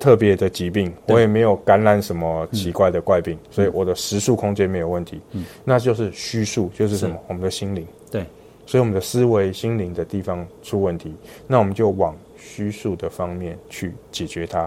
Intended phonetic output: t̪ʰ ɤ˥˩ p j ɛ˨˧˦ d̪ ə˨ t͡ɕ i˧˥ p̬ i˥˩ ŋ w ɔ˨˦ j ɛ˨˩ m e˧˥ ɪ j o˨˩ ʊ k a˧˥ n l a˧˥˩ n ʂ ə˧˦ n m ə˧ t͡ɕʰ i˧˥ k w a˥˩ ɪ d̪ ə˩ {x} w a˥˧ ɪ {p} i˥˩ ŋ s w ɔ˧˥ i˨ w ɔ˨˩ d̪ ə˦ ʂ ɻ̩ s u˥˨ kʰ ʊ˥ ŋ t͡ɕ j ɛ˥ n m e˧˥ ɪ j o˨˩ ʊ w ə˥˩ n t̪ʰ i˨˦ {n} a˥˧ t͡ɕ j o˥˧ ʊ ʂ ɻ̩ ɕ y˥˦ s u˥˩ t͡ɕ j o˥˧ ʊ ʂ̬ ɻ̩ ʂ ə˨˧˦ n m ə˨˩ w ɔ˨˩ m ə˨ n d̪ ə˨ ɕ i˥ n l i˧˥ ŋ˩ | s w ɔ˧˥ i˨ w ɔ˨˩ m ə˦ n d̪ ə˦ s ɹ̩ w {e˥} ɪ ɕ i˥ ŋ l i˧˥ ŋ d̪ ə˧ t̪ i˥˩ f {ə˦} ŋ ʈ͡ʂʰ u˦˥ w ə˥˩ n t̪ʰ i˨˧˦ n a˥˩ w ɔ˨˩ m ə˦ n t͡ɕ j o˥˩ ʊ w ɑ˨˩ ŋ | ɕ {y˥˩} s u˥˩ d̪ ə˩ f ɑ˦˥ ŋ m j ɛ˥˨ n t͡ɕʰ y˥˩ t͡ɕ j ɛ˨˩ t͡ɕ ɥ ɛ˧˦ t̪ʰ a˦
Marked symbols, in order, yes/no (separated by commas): no, yes, yes, no, no, no